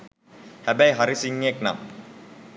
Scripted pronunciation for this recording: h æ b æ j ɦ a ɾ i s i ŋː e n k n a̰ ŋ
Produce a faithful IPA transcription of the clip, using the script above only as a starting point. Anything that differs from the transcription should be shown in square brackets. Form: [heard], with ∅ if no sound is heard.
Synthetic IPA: h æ b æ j ɦ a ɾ i s i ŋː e [∅] k n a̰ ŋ